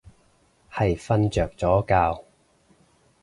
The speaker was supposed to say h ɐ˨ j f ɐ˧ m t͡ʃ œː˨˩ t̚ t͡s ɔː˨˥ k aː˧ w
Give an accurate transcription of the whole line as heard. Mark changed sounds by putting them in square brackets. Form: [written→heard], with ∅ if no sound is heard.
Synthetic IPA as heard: h ɐ˨ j f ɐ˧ [m→n] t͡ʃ œː˨˩ [t̚→k̚] t͡s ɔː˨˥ k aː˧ w

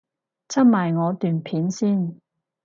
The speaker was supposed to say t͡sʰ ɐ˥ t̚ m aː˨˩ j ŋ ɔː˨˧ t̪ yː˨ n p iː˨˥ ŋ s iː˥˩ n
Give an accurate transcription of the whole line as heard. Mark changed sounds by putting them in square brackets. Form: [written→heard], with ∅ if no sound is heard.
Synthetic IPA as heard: t͡sʰ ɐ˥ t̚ m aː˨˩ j ŋ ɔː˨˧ t̪ yː˨ n [p→pʰ] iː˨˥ [ŋ→n] s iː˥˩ n

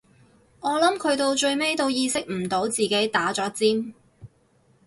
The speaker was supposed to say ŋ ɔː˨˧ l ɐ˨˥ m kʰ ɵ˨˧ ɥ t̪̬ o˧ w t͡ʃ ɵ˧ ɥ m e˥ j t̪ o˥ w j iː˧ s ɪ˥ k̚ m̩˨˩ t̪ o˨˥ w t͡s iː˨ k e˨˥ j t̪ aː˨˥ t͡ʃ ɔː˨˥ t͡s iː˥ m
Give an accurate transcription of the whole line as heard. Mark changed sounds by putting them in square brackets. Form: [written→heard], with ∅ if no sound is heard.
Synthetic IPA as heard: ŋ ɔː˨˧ l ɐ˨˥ m kʰ ɵ˨˧ ɥ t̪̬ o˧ w t͡ʃ ɵ˧ ɥ m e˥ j t̪ [o˥→o˧] w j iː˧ s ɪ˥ k̚ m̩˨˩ t̪ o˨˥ w t͡s iː˨ k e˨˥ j t̪ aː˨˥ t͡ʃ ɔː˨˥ t͡s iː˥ m

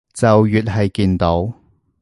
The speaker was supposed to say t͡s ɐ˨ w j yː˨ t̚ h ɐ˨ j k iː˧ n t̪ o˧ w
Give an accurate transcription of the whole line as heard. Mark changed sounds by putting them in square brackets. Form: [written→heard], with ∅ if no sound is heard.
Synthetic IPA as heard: t͡s ɐ˨ w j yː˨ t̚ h ɐ˨ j k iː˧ n t̪ [o˧→o˨˥] w

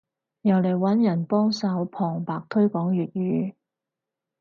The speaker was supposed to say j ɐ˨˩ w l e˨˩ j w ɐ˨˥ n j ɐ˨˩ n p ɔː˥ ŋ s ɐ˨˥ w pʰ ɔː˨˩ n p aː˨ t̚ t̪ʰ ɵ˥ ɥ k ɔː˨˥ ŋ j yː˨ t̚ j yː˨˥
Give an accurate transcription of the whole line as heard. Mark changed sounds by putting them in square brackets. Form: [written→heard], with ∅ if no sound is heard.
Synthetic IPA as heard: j ɐ˨˩ w l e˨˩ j w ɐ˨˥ n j ɐ˨˩ n p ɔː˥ ŋ s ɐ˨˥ w pʰ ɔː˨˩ [n→ŋ] p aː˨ [t̚→k̚] t̪ʰ ɵ˥ ɥ k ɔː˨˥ ŋ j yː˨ t̚ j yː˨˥

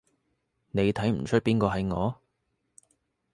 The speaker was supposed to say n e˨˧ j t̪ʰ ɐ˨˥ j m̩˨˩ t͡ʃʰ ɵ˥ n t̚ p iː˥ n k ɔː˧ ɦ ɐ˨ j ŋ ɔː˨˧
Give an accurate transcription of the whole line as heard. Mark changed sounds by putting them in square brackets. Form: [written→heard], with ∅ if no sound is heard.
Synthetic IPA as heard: n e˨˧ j t̪ʰ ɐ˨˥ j m̩˨˩ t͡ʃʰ ɵ˥ [n→∅] t̚ p iː˥ n k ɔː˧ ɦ ɐ˨ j ŋ ɔː˨˧

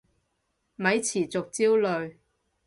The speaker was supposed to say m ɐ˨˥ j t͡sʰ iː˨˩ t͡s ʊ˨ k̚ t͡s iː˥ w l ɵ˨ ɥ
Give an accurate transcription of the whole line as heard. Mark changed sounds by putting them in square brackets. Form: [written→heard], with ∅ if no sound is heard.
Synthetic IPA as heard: m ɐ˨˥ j t͡sʰ iː˨˩ t͡s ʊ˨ k̚ t͡s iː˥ w l ɵ˨ ɥ

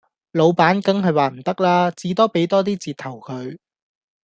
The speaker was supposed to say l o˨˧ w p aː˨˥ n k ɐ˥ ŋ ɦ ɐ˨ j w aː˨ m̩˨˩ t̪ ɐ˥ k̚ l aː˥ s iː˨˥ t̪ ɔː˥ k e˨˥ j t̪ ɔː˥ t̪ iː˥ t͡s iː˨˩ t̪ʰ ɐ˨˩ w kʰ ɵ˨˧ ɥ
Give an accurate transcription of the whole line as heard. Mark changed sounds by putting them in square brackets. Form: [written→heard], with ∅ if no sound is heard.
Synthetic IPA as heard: l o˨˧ w p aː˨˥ n k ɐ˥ ŋ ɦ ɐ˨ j w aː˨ m̩˨˩ t̪ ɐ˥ k̚ l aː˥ [s→t͡s] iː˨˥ t̪ ɔː˥ [k→p] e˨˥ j t̪ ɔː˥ t̪ iː˥ t͡s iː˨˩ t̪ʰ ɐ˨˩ w kʰ ɵ˨˧ ɥ

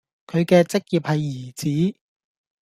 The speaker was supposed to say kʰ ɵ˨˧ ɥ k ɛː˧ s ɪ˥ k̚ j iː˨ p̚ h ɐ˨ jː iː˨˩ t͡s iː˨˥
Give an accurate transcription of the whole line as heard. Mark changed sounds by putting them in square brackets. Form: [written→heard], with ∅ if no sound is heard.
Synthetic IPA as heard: kʰ ɵ˨˧ ɥ k ɛː˧ [s→t͡s] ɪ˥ k̚ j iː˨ p̚ h ɐ˨ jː iː˨˩ t͡s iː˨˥

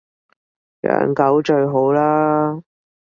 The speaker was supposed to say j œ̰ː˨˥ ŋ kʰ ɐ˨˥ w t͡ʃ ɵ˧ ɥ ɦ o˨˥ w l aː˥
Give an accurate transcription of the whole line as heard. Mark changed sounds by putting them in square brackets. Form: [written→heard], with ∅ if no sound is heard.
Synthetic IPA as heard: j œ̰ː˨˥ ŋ [kʰ→k] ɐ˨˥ w t͡ʃ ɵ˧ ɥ ɦ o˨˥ w l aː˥

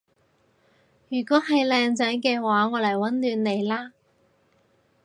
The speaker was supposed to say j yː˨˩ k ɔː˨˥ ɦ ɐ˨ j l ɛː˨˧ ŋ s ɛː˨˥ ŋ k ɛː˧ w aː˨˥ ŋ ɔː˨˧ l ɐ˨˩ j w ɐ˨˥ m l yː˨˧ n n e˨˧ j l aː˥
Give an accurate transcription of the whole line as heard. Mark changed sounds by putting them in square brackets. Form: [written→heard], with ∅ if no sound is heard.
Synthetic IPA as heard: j yː˨˩ k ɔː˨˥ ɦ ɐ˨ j l ɛː˨˧ ŋ [s→t͡s] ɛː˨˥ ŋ k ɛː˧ w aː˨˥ ŋ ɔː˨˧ l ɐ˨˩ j w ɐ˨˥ [m→n] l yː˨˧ n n e˨˧ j l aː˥

